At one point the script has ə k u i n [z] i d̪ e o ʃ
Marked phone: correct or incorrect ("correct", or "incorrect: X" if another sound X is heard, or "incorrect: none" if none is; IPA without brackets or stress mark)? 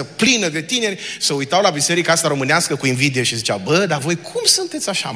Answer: incorrect: v